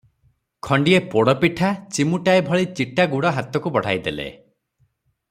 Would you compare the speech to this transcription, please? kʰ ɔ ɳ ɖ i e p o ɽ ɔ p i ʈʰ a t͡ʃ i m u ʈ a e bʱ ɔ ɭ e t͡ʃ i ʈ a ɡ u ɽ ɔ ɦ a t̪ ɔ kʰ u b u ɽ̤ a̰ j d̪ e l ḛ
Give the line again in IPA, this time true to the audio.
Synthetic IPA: kʰ ɔ ɳ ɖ i e p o ɽ ɔ p i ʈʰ a t͡ʃ i m u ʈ a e bʱ ɔ ɭ i t͡ʃ i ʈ a ɡ u ɽ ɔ ɦ a t̪ ɔ k u b ɔ ɽ̤ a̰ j d̪ e l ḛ